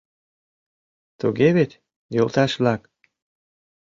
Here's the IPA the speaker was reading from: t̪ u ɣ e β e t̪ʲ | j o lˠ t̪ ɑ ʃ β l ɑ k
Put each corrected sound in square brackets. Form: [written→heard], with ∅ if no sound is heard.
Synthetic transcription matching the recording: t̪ u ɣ e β e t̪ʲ | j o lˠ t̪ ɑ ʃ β l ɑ k